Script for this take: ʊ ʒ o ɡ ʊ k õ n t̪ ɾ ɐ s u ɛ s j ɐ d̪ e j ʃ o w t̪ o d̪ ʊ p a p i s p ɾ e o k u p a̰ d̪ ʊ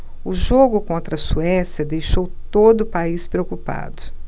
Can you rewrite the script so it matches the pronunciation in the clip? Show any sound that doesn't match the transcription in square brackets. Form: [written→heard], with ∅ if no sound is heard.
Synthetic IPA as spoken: ʊ ʒ o ɡ ʊ k õ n t̪ ɾ ɐ s u ɛ s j ɐ d̪ e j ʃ o w t̪ o d̪ ʊ p a [p→∅] i s p ɾ e o k u p a̰ d̪ ʊ